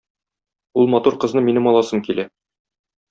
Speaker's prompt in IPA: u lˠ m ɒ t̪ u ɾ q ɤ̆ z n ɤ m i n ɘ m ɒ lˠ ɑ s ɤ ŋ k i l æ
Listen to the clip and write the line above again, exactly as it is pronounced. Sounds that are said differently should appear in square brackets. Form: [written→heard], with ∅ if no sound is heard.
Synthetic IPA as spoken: u lˠ m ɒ t̪ u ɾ q ɤ̆ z n ɤ m i n ɘ m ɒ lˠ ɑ s ɤ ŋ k i l æ